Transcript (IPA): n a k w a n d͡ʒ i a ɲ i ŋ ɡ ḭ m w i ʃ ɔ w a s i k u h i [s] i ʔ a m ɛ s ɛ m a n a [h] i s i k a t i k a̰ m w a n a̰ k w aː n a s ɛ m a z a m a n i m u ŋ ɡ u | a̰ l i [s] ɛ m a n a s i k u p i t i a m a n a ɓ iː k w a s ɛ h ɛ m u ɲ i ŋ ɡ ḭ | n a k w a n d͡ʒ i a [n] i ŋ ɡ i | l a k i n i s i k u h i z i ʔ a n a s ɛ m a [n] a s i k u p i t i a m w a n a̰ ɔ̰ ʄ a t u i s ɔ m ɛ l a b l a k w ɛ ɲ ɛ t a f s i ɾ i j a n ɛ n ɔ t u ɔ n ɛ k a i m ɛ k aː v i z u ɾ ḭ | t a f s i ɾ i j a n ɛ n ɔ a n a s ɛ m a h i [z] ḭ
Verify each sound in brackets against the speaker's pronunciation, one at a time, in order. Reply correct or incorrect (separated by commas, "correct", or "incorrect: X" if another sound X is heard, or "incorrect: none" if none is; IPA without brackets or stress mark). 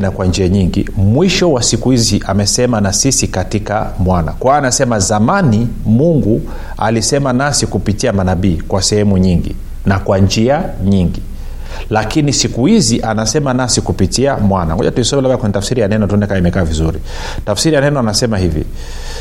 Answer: incorrect: z, incorrect: s, correct, incorrect: ɲ, correct, incorrect: v